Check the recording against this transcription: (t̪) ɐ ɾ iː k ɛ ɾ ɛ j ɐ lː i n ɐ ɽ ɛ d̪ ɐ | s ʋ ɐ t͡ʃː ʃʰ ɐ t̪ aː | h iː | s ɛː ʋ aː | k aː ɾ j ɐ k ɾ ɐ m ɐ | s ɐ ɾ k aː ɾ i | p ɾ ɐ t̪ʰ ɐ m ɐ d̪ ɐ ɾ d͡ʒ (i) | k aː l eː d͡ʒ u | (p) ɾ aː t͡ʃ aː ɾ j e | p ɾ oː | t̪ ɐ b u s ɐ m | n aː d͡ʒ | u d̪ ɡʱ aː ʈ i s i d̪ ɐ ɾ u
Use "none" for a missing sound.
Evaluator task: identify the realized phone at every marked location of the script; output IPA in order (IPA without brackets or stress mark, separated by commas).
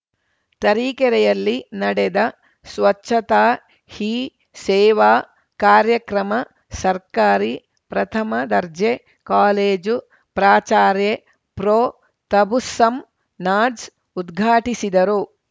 t̪, e, p